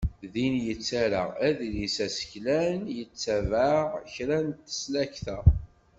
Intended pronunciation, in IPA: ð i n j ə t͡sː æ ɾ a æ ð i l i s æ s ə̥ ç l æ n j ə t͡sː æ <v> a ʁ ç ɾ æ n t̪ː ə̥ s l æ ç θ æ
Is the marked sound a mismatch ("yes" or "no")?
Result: no